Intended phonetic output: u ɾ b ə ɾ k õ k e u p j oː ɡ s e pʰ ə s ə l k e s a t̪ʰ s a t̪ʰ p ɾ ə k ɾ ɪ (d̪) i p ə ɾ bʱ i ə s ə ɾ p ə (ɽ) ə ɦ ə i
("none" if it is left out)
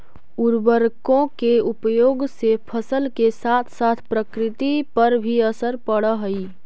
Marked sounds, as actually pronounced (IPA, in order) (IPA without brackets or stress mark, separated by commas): t̪, ɽ